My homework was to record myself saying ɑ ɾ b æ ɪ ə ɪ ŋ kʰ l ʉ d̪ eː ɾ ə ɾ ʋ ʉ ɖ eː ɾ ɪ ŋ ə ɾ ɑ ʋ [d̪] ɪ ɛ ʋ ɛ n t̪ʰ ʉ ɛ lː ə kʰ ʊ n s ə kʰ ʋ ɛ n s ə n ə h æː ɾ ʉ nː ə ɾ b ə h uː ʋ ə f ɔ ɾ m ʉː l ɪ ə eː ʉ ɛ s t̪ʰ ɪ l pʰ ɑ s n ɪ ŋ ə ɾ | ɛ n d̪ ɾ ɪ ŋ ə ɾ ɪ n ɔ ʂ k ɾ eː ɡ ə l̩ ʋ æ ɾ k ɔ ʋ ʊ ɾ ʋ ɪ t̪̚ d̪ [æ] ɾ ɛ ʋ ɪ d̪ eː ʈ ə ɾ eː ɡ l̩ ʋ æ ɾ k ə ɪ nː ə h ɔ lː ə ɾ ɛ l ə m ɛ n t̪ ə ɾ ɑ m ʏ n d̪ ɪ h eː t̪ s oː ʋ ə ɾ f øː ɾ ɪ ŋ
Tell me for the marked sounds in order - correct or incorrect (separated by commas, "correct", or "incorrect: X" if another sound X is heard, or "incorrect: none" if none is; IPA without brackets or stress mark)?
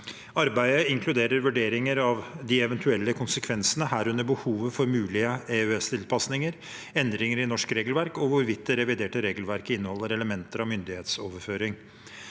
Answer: correct, incorrect: ɛ